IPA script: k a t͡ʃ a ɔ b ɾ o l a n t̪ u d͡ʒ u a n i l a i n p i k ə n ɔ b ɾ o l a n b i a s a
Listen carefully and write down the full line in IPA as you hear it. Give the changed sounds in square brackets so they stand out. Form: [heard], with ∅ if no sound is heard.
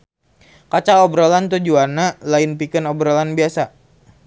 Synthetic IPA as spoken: k a t͡ʃ a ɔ b ɾ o l a n t̪ u d͡ʒ u a n [a] l a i n p i k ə n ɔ b ɾ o l a n b i a s a